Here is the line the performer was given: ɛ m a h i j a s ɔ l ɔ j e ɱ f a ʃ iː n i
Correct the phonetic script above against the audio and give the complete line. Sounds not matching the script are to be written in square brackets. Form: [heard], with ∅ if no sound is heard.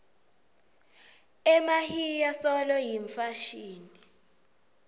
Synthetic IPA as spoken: ɛ m a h i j a s ɔ l ɔ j [i] ɱ f a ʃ iː n i